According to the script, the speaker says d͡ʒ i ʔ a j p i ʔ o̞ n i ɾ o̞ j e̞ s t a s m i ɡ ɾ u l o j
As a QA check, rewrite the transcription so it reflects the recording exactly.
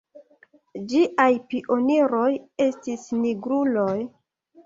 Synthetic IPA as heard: d͡ʒ i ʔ a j p i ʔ o̞ n i ɾ o̞ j e̞ s t i s n i ɡ ɾ u l o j